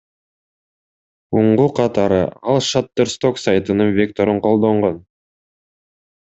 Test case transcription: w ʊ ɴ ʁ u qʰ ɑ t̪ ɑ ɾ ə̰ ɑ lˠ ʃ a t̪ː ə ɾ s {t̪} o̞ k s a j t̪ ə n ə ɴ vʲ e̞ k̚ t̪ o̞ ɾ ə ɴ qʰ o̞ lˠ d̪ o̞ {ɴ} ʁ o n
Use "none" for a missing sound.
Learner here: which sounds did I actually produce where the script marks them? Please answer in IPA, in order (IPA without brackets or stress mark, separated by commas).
t̪, ɴ